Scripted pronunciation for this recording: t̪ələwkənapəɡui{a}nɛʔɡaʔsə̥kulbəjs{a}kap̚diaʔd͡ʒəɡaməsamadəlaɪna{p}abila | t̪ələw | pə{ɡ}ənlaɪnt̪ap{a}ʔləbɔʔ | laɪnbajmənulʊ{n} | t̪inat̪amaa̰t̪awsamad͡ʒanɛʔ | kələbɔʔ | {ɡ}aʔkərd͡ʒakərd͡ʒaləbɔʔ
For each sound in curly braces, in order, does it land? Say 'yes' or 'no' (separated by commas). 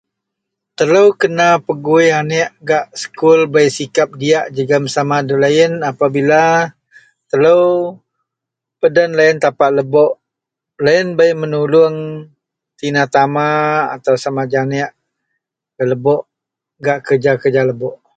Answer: yes, no, yes, no, yes, no, yes